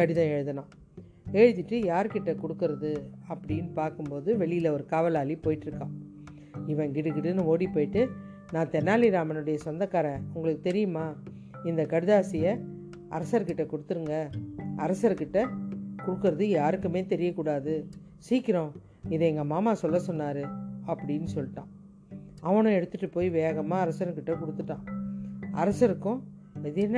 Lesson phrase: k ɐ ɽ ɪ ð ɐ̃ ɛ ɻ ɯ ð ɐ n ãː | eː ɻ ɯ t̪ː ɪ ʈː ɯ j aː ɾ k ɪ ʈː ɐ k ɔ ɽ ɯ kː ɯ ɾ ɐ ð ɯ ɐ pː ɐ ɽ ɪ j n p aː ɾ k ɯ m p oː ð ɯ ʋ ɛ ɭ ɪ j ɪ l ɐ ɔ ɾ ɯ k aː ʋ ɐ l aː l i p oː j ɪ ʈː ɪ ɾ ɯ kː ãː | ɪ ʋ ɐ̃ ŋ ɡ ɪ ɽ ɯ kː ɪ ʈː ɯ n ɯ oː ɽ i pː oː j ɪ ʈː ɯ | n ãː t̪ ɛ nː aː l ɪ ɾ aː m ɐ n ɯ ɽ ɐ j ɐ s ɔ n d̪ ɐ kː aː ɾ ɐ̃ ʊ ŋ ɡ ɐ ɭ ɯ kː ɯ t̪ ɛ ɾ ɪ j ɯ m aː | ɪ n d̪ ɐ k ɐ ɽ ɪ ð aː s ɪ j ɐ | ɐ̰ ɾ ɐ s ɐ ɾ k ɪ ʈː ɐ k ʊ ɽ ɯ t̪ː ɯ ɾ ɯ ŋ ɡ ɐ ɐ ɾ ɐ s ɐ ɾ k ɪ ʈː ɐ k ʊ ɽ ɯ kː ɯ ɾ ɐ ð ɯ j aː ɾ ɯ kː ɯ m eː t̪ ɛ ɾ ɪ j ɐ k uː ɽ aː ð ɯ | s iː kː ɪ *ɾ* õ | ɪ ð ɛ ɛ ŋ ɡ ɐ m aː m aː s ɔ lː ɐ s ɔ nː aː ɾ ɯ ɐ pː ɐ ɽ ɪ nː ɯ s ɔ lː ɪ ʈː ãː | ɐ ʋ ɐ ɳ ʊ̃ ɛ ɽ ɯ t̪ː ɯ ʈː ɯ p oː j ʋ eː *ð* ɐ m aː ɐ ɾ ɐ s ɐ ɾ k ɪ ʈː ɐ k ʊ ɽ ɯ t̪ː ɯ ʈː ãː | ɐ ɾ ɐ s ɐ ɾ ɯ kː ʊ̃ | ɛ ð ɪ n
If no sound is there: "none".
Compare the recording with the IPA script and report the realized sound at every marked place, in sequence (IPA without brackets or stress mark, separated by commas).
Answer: ɾ, ɣ